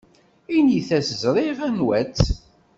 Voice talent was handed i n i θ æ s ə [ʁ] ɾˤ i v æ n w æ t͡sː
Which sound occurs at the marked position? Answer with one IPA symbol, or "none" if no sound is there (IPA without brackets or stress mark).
z